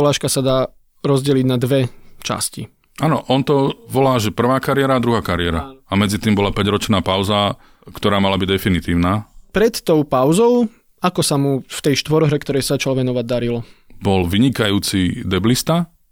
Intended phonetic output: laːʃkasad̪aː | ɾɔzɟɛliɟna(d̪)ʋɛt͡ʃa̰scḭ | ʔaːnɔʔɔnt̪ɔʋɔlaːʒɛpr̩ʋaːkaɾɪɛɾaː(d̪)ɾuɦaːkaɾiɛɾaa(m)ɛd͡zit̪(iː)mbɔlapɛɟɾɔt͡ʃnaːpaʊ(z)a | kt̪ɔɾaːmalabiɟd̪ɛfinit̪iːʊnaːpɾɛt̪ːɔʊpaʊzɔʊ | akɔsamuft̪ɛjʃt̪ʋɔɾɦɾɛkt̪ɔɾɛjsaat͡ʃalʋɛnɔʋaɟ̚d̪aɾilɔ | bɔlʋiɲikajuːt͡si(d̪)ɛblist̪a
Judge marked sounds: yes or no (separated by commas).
yes, yes, yes, yes, yes, yes